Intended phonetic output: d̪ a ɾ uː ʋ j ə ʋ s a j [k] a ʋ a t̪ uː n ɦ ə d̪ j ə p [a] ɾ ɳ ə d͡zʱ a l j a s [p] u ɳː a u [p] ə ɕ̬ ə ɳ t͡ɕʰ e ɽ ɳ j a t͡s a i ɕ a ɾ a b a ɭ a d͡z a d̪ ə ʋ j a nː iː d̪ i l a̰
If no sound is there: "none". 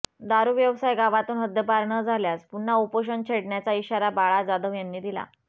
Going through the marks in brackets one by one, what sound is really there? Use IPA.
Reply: ɡ, a, p, p

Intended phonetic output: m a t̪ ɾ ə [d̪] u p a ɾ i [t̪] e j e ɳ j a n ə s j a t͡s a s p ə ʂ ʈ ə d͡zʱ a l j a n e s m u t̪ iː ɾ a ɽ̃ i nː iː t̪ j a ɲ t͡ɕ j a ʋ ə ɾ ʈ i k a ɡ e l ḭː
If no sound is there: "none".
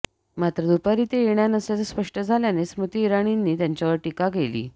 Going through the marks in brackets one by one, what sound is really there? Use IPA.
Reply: d̪, t̪

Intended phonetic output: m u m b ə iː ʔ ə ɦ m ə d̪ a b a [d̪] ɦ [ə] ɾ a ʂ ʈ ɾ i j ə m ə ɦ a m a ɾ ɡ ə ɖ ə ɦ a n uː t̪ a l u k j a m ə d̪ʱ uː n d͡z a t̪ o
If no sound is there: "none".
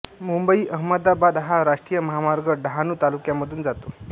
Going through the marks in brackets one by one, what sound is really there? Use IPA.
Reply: d̪, a

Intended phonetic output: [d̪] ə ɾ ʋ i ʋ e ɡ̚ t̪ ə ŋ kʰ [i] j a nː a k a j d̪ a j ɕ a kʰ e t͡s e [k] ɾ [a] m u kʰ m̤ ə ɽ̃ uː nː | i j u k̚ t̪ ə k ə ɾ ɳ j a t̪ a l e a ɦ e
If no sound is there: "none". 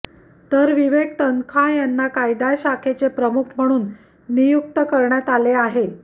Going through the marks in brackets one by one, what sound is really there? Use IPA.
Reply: t̪, a, p, ə

